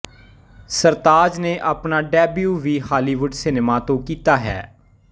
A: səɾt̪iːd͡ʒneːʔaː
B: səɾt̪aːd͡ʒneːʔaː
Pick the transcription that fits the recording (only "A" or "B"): B